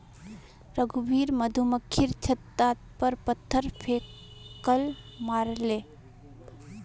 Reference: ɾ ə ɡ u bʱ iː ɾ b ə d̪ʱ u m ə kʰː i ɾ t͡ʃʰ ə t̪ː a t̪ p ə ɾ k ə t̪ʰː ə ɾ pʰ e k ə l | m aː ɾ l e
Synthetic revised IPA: ɾ ə ɡ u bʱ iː ɾ m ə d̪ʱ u m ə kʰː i ɾ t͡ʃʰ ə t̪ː a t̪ p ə ɾ p ə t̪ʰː ə ɾ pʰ e k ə l | m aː ɾ l e